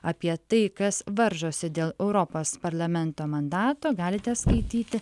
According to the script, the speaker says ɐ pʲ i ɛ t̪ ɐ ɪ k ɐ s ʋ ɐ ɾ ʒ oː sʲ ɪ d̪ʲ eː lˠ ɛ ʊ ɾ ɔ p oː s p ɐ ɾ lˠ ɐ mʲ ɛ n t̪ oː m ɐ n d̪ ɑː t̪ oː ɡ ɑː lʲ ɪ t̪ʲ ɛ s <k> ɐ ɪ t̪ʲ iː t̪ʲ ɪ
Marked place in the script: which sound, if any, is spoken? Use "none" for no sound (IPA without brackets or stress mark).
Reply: k